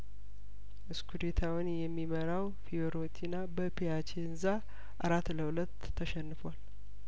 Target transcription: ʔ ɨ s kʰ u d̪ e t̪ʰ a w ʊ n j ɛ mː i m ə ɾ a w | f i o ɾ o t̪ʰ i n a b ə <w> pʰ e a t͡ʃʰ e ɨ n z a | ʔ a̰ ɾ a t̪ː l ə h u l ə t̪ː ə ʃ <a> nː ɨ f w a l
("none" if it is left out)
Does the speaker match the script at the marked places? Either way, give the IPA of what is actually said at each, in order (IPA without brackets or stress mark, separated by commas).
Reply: none, ɛ